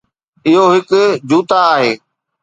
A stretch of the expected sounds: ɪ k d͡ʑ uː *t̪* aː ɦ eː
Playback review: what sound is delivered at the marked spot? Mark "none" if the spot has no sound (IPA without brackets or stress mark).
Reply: t̪